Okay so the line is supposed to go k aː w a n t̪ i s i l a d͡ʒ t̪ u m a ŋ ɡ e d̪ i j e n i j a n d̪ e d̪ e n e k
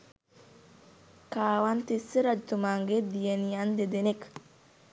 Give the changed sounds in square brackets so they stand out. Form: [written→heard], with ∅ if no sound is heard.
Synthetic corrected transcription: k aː w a n t̪ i s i [l→ɾ] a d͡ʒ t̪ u m a ŋ ɡ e d̪ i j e n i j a n d̪ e d̪ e n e k